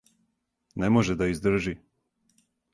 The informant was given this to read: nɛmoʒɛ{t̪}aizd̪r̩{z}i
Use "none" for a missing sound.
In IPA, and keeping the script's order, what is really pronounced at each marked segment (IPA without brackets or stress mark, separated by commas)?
d̪, ʒ